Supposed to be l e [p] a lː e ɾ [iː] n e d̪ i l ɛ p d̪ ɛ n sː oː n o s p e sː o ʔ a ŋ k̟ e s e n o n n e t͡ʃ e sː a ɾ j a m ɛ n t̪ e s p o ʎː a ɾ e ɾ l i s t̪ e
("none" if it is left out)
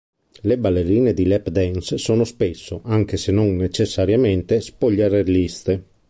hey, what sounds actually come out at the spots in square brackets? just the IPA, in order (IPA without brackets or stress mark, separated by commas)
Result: b, iː